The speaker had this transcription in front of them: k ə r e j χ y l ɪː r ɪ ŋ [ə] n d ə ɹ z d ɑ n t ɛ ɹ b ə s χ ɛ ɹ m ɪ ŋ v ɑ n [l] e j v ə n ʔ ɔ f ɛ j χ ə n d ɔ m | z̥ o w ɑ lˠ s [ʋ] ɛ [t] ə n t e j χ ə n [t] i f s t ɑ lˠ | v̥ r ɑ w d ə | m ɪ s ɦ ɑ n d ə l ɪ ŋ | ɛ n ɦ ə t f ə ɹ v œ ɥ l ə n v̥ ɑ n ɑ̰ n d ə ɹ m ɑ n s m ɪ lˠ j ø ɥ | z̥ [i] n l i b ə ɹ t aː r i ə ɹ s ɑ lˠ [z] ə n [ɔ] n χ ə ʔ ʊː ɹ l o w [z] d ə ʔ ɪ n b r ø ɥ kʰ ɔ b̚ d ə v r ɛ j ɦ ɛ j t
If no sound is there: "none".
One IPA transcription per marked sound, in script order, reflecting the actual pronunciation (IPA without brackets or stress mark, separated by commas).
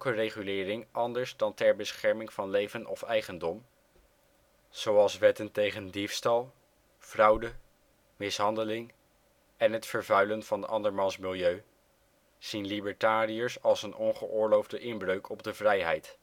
ɑ, l, ʋ, t, d, i, s, ɔ, v